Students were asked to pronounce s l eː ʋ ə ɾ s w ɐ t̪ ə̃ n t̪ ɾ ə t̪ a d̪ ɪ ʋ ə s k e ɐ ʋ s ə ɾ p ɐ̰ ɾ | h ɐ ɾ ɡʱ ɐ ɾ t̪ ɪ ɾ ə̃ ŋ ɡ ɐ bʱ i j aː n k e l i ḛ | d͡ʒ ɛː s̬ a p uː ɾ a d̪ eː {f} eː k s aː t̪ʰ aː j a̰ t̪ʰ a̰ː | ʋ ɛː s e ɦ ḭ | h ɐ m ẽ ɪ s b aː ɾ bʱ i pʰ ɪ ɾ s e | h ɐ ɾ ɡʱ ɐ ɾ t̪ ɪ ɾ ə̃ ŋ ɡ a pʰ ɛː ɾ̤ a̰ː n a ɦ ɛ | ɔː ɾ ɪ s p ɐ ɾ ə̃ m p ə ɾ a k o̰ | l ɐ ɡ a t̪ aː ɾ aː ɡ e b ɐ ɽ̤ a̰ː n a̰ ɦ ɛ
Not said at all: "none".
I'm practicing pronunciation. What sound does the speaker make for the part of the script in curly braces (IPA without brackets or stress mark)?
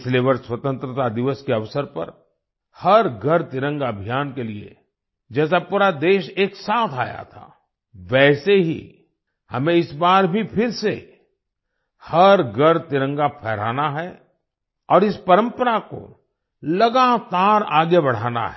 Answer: ʃ